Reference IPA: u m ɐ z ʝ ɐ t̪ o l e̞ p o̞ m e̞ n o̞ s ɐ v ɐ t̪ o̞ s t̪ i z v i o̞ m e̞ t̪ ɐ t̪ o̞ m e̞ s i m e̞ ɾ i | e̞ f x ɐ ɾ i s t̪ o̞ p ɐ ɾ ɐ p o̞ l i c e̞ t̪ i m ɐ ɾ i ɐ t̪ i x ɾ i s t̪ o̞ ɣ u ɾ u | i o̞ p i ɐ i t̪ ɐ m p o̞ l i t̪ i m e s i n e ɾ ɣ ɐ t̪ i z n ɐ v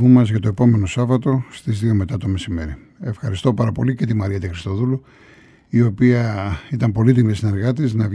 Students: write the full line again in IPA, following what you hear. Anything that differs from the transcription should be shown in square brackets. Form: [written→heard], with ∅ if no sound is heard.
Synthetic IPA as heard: u m ɐ z ʝ ɐ t̪ o [l→∅] e̞ p o̞ m e̞ n o̞ s ɐ v ɐ t̪ o̞ s t̪ i z [v→ð] i o̞ m e̞ t̪ ɐ t̪ o̞ m e̞ s i m e̞ ɾ i | e̞ f x ɐ ɾ i s t̪ o̞ p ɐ ɾ ɐ p o̞ l i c e̞ t̪ i m ɐ ɾ i ɐ t̪ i x ɾ i s t̪ o̞ [ɣ→ð] u [ɾ→l] u | i o̞ p i ɐ i t̪ ɐ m p o̞ l i t̪ i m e s i n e ɾ ɣ ɐ t̪ i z n ɐ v